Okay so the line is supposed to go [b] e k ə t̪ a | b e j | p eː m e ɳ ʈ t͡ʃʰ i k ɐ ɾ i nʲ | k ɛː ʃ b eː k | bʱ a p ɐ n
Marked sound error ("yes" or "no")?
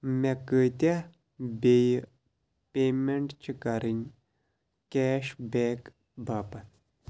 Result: yes